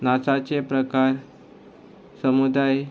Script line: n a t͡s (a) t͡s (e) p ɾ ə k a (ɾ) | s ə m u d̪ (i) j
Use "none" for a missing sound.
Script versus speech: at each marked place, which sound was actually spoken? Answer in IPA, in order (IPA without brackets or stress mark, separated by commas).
a, e, ɾ, a